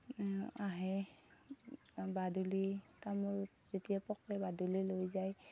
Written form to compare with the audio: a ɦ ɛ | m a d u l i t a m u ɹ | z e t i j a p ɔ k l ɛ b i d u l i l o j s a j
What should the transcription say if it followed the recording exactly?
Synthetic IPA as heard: a ɦ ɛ | b a d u l i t a m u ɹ | z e t i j a p ɔ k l ɛ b a d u l i l o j z a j